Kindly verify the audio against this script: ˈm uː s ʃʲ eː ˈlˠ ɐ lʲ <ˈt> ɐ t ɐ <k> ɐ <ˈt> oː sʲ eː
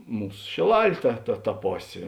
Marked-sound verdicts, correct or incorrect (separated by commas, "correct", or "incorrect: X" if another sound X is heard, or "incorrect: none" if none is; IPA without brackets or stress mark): correct, incorrect: t, incorrect: p